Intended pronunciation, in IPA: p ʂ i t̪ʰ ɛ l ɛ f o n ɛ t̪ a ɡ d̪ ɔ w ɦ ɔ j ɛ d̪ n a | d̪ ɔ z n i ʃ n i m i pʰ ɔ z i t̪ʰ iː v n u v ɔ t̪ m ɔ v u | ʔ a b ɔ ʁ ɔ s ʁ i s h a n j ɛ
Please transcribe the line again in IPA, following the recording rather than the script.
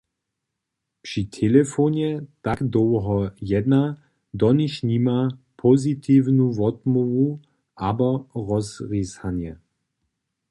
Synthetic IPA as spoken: p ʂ i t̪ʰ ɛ l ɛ f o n ɛ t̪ a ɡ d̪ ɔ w ɦ ɔ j ɛ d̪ n a | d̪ ɔ n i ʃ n i m a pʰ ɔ z i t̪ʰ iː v n u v ɔ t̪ m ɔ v u | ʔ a b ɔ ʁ ɔ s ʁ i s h a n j ɛ